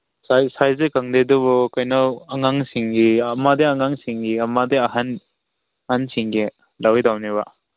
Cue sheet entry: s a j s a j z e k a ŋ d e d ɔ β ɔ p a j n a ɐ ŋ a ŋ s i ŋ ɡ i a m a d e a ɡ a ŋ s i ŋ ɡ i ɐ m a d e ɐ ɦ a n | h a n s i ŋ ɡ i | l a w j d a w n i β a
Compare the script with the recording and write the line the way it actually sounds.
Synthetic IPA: s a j s a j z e k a ŋ d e d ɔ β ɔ k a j n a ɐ ŋ a ŋ s i ŋ ɡ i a m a d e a ŋ a ŋ s i ŋ ɡ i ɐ m a d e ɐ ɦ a n | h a n s i ŋ ɡ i | l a w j d a w n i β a